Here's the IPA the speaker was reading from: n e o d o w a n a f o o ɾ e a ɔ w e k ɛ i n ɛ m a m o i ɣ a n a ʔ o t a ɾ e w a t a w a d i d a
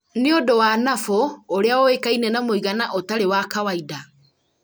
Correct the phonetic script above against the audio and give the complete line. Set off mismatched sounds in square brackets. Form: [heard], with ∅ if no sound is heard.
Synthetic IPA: n e o d o w a n a f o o ɾ e a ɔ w e k [a] i n ɛ [n] a m o i ɣ a n a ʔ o t a ɾ e w a [k] a w a [∅] i d a